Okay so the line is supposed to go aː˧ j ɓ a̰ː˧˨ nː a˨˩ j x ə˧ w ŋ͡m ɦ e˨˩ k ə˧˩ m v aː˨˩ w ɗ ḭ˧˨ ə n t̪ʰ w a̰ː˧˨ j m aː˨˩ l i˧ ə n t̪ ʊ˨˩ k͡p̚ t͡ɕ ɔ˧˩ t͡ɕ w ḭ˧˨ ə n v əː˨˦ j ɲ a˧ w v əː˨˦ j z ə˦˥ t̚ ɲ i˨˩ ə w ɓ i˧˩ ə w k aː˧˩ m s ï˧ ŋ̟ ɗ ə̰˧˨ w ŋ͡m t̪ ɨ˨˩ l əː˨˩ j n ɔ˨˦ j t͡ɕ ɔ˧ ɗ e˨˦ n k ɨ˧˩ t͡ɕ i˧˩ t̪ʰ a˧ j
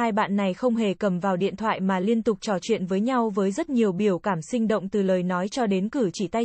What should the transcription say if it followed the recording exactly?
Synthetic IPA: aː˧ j ɓ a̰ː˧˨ nː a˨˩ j x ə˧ w ŋ͡m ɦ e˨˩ k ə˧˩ m v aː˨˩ w ɗ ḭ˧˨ ə n t̪ʰ w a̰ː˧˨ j m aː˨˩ l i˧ ə n t̪ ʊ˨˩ k͡p̚ t͡ɕ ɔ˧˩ t͡ɕ w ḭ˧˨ ə n v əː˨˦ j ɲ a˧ w v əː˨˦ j z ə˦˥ t̚ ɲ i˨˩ ə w ɓ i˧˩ ə w k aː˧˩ m s ï˧ ŋ̟ ɗ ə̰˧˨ w ŋ͡m t̪ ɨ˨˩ l əː˨˩ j n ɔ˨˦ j t͡ɕ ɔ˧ ɗ e˨˦ n k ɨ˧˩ t͡ɕ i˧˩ t̪ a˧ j